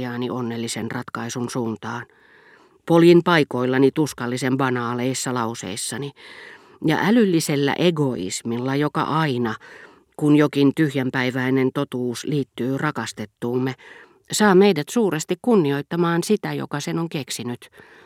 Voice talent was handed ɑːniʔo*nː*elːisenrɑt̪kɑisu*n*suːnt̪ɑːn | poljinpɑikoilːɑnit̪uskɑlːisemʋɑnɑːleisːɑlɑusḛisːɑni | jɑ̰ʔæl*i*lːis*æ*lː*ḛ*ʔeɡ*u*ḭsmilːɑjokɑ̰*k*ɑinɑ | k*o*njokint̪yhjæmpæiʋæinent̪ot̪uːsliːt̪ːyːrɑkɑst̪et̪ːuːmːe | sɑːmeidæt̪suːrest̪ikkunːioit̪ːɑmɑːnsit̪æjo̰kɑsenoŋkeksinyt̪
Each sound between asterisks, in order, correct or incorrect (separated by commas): correct, correct, incorrect, incorrect, incorrect, incorrect, incorrect, incorrect